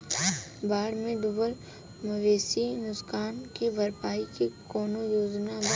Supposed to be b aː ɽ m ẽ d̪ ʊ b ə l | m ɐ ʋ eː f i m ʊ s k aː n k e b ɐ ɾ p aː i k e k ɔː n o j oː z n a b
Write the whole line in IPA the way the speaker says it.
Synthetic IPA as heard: b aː ɽ m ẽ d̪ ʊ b ə l | m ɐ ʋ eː s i n ʊ s k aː n k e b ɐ ɾ p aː i k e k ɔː n o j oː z n a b